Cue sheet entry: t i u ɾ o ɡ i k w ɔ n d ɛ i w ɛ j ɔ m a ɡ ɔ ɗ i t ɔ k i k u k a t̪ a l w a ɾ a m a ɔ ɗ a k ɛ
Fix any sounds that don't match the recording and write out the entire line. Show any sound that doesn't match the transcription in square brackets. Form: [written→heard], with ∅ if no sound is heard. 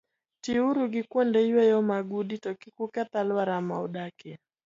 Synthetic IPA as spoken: t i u ɾ [o→u] ɡ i k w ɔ n d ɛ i w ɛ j ɔ m a ɡ [ɔ→u] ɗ i t ɔ k i k u k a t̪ a l w a ɾ a m a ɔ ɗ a k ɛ